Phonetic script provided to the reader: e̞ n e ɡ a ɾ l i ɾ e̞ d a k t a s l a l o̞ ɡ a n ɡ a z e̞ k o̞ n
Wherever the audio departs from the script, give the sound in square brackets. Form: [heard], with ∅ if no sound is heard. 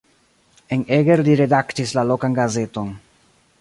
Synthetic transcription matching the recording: e̞ n e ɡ [e] ɾ l i ɾ e̞ d a k t [i] s l a l o̞ [k] a n ɡ a z e̞ [t] o̞ n